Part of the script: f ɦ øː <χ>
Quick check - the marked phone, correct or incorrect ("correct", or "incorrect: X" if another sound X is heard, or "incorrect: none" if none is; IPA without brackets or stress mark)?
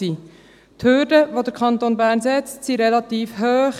correct